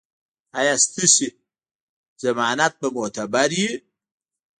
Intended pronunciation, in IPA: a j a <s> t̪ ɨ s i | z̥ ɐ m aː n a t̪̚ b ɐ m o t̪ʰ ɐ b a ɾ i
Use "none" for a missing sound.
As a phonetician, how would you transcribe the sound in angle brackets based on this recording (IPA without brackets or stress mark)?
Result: s